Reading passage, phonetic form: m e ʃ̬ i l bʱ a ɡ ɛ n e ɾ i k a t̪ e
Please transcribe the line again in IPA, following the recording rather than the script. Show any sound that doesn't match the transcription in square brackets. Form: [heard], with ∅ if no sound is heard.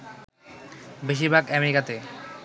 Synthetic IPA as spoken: [b] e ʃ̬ i [ɾ] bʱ a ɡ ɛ [m] e ɾ i k a t̪ e